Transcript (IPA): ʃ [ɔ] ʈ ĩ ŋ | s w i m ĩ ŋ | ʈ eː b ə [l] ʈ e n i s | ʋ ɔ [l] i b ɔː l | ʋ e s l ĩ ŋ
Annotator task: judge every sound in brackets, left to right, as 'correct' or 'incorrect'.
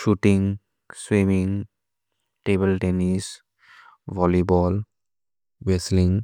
incorrect: u, correct, correct

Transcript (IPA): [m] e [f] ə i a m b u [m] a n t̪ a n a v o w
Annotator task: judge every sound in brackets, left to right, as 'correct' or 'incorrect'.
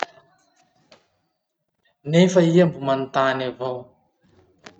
incorrect: n, correct, correct

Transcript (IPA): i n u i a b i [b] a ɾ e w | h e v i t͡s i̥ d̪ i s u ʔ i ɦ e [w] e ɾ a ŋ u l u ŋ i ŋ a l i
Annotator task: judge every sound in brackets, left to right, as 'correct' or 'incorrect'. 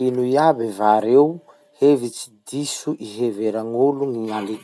incorrect: v, incorrect: v

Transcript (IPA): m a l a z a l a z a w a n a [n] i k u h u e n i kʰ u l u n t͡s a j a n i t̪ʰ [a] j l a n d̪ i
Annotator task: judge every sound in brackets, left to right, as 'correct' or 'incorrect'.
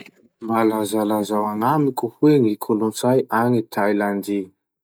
incorrect: m, correct

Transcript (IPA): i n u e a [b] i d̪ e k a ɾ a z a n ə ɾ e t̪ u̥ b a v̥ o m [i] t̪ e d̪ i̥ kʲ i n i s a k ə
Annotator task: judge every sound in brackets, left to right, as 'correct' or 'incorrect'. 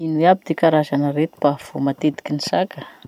correct, incorrect: a

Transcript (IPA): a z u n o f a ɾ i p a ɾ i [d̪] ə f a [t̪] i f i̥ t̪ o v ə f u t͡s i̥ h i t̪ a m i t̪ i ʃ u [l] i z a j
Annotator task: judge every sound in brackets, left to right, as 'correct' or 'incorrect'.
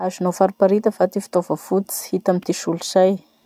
incorrect: t̪, correct, correct

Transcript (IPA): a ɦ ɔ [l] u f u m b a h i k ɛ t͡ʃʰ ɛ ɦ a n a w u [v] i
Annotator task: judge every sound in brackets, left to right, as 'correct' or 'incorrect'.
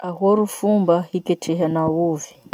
incorrect: ɾ, correct

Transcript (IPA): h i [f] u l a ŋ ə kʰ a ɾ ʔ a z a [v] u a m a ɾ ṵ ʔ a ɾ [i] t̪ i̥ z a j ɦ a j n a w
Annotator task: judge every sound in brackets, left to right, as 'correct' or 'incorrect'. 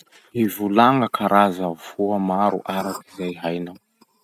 incorrect: v, correct, incorrect: a

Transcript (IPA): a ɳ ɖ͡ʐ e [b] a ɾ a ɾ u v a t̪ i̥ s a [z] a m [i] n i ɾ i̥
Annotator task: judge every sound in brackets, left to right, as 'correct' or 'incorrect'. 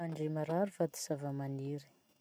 incorrect: m, incorrect: v, incorrect: a

